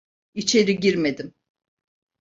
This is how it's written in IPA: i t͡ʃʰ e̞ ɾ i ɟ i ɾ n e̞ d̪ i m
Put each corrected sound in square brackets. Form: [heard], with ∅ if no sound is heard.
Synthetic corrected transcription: i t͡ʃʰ e̞ ɾ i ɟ i ɾ [m] e̞ d̪ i m